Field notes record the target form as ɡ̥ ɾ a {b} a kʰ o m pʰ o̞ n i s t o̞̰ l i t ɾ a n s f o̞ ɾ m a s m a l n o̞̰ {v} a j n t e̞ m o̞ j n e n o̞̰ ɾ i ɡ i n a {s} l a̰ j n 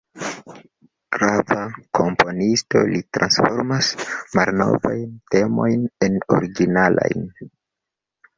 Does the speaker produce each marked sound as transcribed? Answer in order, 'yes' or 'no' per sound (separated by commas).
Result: no, yes, no